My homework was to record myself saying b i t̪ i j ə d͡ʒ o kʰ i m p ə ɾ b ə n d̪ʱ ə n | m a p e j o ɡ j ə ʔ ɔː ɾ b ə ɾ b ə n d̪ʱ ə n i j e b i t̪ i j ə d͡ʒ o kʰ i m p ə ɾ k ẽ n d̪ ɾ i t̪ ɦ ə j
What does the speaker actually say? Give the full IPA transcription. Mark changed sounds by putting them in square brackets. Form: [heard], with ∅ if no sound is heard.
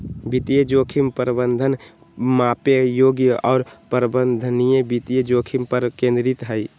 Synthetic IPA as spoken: b i t̪ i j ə d͡ʒ o kʰ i m p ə ɾ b ə n d̪ʱ ə n | m a p e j o ɡ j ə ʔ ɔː ɾ [p] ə ɾ b ə n d̪ʱ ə n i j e b i t̪ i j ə d͡ʒ o kʰ i m p ə ɾ k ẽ n d̪ ɾ i t̪ ɦ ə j